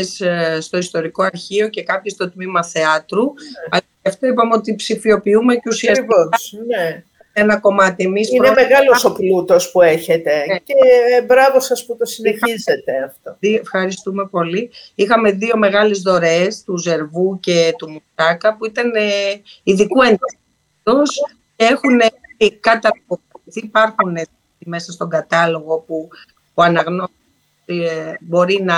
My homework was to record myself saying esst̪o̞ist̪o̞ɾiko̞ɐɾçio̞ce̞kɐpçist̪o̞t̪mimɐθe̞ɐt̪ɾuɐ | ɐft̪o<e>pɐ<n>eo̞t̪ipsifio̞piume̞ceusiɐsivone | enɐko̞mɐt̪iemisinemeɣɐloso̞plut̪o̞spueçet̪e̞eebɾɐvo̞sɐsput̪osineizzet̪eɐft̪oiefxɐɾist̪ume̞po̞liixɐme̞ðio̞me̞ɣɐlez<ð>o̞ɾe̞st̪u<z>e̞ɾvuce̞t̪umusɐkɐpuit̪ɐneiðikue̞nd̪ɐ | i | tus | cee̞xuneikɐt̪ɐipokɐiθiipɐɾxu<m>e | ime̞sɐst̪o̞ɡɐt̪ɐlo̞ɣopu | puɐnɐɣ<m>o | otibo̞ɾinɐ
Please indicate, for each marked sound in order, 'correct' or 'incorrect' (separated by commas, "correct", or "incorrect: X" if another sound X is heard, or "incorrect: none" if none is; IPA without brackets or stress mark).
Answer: incorrect: i, incorrect: m, correct, correct, incorrect: n, incorrect: n